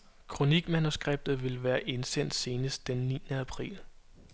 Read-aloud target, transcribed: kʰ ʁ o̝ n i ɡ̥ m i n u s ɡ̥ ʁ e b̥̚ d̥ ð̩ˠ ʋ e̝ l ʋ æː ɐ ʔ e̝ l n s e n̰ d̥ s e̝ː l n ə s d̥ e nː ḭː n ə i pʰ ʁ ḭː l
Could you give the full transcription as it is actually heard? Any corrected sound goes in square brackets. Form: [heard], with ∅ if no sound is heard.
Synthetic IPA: kʰ ʁ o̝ n i ɡ̥ m [æ] n u s ɡ̥ ʁ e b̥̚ d̥ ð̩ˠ ʋ e̝ l ʋ æː ɐ ʔ e̝ [∅] n s e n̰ d̥ s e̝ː [∅] n ə s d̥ e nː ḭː n ə [æ] pʰ ʁ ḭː l